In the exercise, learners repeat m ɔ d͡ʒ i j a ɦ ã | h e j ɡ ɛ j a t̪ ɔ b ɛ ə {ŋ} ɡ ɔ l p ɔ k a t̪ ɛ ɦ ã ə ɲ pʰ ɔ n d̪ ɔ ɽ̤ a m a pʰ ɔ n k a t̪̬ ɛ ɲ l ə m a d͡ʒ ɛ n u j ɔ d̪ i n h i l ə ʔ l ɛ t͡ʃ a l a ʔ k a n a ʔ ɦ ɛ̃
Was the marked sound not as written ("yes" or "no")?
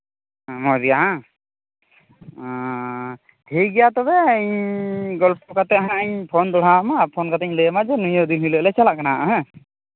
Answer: yes